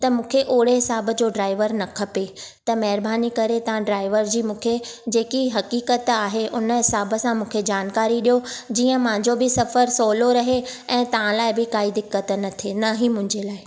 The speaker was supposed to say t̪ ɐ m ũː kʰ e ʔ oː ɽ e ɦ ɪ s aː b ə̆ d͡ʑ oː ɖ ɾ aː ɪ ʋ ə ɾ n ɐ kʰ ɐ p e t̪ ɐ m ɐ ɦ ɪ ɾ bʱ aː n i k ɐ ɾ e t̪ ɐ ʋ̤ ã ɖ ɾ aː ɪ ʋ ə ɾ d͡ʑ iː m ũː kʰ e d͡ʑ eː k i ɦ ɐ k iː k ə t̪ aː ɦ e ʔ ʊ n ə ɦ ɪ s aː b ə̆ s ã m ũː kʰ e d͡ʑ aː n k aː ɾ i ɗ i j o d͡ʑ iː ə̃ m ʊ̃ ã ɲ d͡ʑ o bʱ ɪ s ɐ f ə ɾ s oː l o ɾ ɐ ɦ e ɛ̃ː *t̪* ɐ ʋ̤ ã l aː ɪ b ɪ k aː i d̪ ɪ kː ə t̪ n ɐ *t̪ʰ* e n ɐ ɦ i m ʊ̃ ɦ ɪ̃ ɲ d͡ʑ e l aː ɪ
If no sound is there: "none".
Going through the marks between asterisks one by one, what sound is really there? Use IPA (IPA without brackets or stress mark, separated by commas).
t̪, t̪ʰ